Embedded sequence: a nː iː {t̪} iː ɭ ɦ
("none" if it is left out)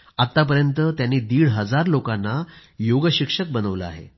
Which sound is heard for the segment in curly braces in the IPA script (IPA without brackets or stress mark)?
d̪